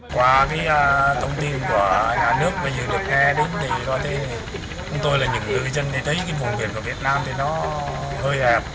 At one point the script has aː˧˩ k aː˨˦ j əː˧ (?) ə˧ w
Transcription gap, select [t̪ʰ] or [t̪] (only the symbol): t̪ʰ